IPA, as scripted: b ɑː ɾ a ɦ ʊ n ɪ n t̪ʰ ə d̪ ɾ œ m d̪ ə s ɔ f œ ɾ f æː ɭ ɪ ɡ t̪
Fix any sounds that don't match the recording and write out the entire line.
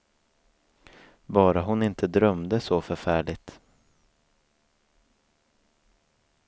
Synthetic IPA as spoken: b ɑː ɾ a ɦ ʊ n ɪ n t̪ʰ ə d̪ ɾ œ m d̪ ə s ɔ f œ ɾ f æː ɭ ɪ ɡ t̪